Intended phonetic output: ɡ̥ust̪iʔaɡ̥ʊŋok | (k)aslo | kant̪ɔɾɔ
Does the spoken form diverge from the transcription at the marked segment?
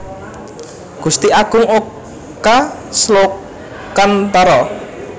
no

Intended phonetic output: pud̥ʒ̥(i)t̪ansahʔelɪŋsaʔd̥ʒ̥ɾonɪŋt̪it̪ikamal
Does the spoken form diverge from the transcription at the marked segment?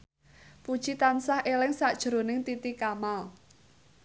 no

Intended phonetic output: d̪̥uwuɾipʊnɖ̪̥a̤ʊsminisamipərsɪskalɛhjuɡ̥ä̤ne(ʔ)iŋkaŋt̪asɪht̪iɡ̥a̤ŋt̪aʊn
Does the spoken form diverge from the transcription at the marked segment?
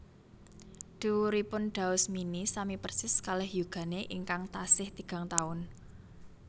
no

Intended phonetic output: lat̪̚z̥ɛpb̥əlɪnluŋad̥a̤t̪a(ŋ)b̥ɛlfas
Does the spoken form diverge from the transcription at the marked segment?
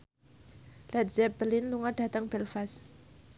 no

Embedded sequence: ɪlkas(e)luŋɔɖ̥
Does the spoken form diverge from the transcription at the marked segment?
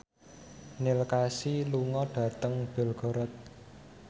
yes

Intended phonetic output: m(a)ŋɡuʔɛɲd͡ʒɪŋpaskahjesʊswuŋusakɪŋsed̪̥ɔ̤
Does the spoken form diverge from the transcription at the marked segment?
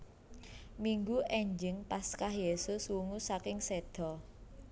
yes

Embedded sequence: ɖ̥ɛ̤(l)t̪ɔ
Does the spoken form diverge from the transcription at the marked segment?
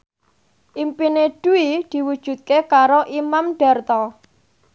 yes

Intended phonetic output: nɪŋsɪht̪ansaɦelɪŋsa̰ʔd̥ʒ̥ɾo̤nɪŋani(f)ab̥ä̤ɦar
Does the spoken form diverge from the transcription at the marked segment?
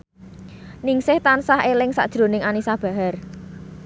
yes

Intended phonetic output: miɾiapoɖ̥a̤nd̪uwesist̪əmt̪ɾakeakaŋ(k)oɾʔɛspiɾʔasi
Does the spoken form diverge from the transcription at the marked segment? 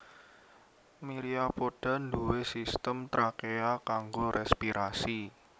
yes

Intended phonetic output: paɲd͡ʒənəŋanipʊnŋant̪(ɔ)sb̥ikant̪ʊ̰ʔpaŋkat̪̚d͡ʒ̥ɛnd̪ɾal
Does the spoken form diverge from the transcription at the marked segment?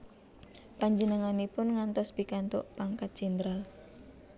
no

